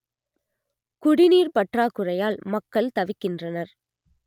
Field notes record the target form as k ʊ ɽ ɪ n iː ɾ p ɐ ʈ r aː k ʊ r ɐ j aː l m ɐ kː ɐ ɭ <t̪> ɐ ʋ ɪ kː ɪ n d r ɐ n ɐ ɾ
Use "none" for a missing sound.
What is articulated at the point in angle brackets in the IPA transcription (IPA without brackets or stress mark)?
t̪